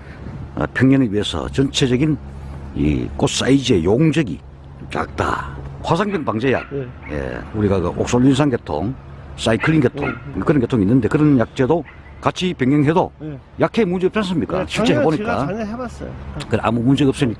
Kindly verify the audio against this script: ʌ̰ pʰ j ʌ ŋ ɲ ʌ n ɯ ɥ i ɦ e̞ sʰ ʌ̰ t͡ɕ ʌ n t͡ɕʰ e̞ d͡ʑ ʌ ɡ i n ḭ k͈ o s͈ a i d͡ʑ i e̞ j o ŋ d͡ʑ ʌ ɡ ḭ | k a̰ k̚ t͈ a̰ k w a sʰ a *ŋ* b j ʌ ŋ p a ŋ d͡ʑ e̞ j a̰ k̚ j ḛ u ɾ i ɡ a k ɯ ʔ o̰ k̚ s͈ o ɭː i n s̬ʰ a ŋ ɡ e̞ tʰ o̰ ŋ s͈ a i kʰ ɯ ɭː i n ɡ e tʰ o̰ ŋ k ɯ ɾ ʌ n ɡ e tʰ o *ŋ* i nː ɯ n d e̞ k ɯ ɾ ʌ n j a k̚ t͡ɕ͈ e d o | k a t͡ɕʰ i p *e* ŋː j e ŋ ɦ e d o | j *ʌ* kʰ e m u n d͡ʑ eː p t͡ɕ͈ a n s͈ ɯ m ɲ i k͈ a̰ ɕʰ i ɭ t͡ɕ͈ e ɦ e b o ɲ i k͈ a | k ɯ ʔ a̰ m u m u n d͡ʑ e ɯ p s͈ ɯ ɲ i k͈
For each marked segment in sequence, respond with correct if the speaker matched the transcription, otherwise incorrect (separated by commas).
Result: correct, correct, correct, incorrect